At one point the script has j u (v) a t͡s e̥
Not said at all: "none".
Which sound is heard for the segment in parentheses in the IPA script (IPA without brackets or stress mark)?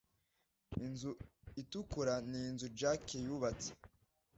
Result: β